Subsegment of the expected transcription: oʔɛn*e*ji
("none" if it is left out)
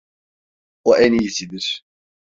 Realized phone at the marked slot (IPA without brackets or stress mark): i